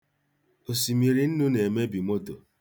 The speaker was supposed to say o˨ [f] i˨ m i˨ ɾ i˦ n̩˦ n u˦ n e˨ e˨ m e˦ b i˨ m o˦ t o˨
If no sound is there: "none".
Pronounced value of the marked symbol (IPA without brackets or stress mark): s